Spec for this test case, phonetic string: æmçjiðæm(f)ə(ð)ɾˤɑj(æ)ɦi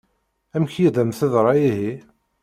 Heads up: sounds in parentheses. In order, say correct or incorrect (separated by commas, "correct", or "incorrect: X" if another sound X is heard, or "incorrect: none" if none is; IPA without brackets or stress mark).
incorrect: θ, correct, incorrect: i